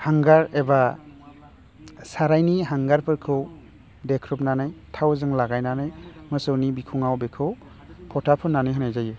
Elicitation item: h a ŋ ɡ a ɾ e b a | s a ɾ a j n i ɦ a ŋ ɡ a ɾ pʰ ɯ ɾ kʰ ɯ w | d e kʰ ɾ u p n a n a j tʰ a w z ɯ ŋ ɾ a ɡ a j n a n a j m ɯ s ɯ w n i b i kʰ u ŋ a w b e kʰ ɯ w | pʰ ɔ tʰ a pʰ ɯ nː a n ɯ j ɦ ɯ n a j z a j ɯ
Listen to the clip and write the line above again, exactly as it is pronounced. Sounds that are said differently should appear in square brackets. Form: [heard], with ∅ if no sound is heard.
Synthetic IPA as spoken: h a ŋ ɡ a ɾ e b a | s a ɾ a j n i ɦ a ŋ ɡ a ɾ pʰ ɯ ɾ kʰ ɯ w | d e kʰ ɾ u p n a n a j tʰ a w z ɯ ŋ [l] a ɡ a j n a n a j m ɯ s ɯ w n i b i kʰ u ŋ a w b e kʰ ɯ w | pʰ ɔ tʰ a pʰ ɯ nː a n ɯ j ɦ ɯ n a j z a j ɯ